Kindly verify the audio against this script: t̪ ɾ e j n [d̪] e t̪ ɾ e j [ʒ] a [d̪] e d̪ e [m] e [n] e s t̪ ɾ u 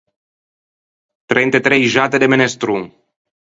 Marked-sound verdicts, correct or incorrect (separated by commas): incorrect, correct, incorrect, correct, correct